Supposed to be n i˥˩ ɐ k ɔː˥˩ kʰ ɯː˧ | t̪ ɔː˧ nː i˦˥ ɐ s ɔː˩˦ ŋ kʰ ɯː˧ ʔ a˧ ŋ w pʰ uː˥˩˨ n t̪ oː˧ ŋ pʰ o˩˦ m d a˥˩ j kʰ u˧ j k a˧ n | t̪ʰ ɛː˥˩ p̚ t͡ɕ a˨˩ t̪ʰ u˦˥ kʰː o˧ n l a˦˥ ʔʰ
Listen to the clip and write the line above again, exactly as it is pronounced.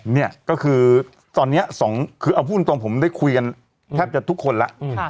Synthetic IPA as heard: n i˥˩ ɐ k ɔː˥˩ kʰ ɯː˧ | t̪ ɔː˧ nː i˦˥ ɐ s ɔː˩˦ ŋ kʰ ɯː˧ ʔ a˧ w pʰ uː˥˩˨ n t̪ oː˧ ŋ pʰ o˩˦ m d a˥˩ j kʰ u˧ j k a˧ n | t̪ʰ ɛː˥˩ p̚ t͡ɕ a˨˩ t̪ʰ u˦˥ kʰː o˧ n l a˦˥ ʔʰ